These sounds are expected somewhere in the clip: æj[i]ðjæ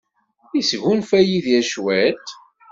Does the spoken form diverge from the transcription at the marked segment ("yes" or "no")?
no